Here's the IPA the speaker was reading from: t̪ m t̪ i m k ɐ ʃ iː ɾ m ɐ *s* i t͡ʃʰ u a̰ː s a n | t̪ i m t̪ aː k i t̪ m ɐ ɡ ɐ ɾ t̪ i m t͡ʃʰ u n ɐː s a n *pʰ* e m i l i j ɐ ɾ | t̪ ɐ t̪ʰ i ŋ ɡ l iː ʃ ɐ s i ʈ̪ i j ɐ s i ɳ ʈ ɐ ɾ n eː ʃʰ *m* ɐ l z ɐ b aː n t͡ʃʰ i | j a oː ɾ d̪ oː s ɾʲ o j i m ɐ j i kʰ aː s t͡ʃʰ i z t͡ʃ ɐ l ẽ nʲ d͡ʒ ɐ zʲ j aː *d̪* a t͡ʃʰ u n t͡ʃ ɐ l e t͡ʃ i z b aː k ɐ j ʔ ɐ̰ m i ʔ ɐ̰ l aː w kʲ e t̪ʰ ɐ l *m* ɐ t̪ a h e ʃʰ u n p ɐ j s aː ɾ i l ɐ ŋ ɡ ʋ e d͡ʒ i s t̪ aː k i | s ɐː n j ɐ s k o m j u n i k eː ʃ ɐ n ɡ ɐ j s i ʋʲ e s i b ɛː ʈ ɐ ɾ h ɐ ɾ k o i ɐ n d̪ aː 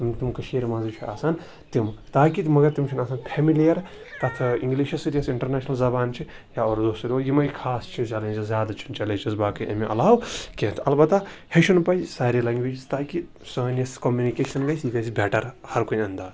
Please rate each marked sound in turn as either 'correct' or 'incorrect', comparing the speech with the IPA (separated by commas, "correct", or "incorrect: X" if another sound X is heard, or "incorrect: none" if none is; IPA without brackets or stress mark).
incorrect: z, correct, incorrect: n, correct, incorrect: b